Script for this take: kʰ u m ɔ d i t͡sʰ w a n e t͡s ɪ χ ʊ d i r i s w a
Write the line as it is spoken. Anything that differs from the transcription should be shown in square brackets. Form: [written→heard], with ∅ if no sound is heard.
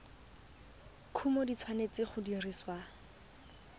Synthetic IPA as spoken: kʰ u m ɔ d i t͡sʰ w a n e t͡s ɪ χ ʊ d i r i s w a